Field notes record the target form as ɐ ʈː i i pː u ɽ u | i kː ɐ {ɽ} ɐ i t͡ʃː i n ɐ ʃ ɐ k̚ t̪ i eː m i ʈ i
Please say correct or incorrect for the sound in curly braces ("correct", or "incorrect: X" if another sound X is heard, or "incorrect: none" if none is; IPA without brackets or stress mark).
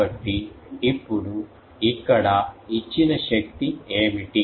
correct